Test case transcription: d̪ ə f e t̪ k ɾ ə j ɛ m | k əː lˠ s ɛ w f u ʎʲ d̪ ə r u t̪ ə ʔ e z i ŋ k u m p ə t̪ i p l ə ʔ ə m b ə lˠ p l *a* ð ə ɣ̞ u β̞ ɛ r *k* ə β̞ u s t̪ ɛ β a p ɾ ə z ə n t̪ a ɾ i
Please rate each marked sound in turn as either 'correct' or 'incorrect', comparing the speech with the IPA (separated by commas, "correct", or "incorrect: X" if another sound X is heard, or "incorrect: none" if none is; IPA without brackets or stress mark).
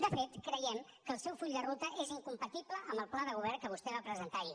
correct, correct